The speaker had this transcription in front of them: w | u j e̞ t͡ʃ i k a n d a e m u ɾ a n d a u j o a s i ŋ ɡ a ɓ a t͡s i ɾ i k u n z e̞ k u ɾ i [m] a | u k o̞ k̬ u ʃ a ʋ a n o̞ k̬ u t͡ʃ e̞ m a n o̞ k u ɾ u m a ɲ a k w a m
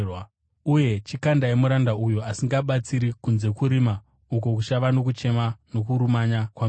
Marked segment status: correct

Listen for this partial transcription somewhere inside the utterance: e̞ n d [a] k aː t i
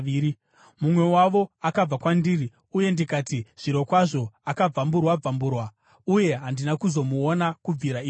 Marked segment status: incorrect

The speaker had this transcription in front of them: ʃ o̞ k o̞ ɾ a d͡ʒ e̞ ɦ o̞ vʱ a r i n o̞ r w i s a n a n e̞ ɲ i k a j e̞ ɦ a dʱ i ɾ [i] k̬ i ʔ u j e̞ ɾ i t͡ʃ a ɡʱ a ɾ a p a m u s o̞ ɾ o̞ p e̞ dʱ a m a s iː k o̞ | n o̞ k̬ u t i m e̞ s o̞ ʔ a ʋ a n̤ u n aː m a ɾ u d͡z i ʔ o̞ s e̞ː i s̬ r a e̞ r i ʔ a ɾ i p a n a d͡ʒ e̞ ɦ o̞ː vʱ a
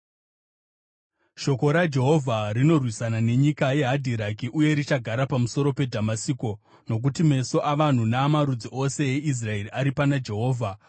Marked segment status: incorrect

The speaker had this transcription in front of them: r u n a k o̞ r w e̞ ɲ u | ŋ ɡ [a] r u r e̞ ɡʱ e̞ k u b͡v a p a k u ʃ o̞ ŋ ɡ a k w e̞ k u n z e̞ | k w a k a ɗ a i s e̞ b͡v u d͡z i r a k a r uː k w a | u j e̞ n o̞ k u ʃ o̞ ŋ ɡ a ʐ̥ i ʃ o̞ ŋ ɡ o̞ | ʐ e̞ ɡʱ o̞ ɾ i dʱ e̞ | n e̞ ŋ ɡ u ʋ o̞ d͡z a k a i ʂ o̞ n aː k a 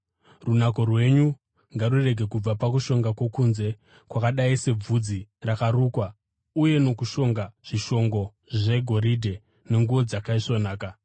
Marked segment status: correct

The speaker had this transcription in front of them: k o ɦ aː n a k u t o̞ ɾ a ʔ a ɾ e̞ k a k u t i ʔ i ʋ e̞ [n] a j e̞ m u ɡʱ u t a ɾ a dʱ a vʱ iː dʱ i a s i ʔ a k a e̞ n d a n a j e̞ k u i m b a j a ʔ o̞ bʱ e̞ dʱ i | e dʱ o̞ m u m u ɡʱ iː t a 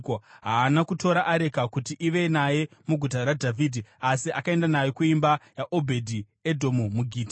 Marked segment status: correct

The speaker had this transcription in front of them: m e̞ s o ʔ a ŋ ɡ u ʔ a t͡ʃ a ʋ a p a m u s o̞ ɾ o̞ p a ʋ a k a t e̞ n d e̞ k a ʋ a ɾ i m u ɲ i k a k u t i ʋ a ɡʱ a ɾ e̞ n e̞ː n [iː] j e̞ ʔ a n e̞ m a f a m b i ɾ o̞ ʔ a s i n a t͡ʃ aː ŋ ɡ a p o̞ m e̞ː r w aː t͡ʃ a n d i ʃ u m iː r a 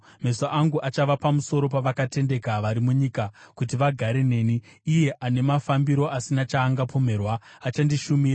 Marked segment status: correct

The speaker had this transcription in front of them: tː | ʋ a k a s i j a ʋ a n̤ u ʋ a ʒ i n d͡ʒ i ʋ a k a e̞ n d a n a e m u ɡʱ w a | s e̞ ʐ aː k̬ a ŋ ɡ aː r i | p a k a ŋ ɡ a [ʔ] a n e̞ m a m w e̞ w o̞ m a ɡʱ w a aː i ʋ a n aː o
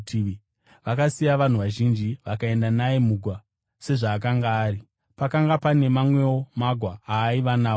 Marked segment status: incorrect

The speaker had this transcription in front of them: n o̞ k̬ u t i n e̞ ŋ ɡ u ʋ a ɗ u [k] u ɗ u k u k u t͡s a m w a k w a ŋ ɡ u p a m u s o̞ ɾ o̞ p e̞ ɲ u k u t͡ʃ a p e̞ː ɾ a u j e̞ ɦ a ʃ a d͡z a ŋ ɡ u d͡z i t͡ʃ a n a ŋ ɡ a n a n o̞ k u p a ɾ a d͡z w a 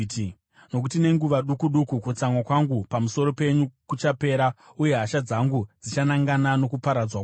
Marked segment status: correct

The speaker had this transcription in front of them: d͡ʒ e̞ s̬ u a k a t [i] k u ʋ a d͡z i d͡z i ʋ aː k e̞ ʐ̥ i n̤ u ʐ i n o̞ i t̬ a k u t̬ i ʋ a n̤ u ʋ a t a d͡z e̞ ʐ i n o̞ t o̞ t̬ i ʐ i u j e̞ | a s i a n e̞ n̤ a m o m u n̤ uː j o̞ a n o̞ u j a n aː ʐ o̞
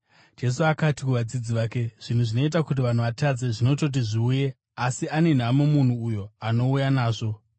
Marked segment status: correct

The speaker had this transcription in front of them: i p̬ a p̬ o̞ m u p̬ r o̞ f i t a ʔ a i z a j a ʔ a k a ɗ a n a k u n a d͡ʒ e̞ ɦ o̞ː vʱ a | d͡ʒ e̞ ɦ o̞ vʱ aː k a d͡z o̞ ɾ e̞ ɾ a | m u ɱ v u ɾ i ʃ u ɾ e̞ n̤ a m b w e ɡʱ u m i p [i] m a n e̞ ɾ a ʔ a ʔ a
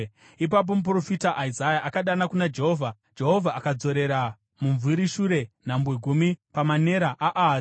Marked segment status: incorrect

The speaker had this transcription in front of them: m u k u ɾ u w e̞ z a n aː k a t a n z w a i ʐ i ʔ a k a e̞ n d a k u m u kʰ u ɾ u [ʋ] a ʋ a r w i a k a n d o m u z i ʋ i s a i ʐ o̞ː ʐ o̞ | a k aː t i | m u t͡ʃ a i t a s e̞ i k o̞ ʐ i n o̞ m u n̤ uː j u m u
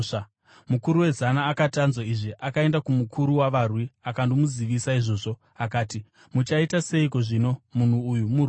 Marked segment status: incorrect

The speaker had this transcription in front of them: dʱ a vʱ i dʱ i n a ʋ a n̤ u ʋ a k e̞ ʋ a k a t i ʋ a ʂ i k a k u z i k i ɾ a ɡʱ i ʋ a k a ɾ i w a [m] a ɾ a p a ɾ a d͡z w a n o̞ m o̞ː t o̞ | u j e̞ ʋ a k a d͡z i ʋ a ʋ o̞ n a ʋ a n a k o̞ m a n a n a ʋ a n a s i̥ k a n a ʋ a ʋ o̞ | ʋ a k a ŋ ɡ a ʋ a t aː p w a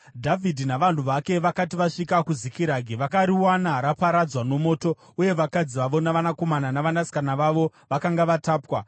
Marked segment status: incorrect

